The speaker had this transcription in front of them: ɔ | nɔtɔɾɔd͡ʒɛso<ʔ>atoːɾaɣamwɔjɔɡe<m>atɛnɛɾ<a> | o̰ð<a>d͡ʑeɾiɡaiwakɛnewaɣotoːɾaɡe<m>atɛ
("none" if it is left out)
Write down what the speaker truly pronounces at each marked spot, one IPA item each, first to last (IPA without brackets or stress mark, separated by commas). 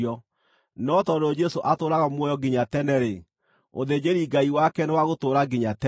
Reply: ʔ, ɲ, e, e, ɲ